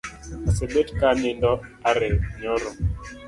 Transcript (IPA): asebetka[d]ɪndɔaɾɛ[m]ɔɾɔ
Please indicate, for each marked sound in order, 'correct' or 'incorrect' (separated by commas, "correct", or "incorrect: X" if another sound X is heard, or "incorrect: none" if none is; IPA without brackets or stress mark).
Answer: incorrect: n, incorrect: ɲ